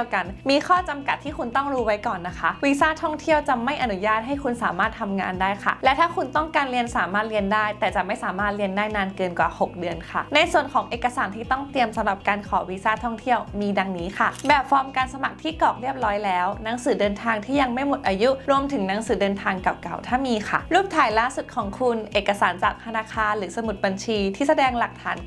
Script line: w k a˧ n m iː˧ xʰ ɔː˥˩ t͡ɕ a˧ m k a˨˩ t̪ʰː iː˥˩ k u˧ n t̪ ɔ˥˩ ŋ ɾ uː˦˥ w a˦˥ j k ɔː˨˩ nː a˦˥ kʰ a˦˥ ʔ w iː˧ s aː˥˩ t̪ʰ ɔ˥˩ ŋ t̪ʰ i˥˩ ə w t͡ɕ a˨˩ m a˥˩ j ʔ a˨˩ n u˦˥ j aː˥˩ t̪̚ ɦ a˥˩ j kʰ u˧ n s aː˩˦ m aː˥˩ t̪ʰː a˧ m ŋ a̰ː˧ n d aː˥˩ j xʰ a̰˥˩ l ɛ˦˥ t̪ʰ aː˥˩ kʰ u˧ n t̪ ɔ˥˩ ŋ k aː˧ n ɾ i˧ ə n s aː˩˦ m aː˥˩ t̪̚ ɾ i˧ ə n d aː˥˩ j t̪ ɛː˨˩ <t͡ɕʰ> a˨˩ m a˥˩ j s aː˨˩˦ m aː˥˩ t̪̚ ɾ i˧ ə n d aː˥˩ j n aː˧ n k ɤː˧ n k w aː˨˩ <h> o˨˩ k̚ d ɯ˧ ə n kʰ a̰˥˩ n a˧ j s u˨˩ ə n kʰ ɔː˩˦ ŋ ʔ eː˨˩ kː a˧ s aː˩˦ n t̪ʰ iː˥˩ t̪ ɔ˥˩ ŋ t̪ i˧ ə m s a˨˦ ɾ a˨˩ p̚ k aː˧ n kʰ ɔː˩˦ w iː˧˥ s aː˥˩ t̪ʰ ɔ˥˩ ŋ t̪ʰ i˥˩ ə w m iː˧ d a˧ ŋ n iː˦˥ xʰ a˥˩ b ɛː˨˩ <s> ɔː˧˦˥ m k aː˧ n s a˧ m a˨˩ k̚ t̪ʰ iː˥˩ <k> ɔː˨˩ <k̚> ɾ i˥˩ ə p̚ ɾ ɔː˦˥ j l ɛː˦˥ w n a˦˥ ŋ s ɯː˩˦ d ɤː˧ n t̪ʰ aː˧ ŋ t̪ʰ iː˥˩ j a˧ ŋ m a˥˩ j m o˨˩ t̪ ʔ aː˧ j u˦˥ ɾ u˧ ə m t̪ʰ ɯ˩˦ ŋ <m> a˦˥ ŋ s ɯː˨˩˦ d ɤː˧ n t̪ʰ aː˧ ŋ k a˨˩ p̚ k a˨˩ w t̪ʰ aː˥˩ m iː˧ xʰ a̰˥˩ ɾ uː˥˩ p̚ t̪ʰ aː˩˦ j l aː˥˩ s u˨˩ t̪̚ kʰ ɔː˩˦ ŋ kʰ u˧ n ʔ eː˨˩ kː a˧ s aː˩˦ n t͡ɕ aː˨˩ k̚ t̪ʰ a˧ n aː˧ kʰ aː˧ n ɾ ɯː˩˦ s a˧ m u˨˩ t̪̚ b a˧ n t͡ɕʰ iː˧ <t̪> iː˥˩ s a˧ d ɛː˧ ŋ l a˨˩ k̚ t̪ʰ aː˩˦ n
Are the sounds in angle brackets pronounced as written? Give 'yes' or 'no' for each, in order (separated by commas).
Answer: no, yes, no, yes, yes, no, no